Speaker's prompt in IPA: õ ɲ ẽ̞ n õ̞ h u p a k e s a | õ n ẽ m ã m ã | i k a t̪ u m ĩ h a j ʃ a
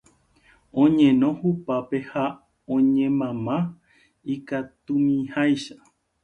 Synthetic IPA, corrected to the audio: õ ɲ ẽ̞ n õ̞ h u p a p e h a | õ ɲ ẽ m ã m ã | i k a t̪ u m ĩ h a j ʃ a